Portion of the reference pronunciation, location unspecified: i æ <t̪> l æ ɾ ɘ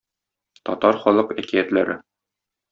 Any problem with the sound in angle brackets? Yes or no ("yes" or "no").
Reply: no